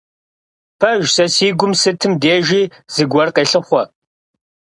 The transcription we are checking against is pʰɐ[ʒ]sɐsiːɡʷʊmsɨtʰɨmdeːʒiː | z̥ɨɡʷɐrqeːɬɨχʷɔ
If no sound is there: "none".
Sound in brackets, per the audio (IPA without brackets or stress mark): ʒ